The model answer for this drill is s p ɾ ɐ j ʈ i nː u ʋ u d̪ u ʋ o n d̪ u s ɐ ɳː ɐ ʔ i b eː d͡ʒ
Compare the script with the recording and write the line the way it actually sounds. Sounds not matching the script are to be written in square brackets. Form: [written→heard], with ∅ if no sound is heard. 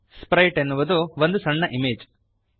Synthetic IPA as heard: s p ɾ ɐ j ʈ [i→e] nː u ʋ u d̪ u ʋ o n d̪ u s ɐ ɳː ɐ ʔ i [b→m] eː d͡ʒ